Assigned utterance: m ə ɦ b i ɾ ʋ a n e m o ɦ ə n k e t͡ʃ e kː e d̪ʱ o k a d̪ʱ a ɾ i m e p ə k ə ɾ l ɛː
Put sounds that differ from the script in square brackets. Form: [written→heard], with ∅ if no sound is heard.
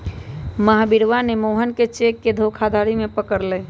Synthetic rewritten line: m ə ɦ b i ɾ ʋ a n e m o ɦ ə n k e t͡ʃ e kː e d̪ʱ o [k→kʰ] a d̪ʱ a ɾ i m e p ə k ə ɾ l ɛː